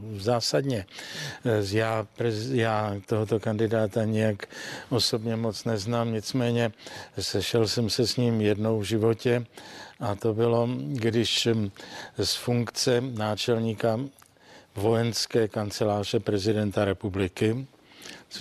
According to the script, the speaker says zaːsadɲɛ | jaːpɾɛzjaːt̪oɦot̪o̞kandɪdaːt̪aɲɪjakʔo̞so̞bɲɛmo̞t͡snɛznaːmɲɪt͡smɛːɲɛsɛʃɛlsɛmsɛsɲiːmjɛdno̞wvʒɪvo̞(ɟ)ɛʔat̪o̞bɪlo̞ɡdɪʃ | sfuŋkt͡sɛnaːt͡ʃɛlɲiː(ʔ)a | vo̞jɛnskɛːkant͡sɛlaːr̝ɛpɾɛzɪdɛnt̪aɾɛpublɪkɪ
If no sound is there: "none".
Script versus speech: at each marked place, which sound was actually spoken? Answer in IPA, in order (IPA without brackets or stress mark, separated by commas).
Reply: c, k